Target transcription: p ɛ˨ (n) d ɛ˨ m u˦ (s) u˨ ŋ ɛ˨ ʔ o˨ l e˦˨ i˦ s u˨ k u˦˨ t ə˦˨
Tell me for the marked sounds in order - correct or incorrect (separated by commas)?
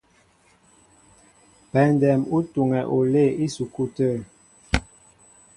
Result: correct, incorrect